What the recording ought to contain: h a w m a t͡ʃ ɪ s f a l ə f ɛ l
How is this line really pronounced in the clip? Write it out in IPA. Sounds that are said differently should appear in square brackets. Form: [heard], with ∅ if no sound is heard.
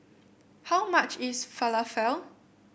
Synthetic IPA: h a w m a t͡ʃ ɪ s f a l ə f ɛ l